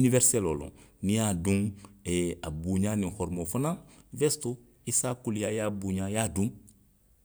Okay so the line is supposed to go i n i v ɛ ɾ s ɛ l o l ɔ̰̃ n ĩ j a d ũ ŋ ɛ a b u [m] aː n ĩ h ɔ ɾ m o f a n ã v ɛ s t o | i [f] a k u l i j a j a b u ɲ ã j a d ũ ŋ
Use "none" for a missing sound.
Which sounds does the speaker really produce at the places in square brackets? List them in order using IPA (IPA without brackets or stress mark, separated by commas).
ɲ, s